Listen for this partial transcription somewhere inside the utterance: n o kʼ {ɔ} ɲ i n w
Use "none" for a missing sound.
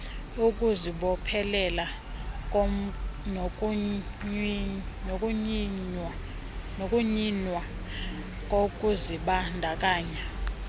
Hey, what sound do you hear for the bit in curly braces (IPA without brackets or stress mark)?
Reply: u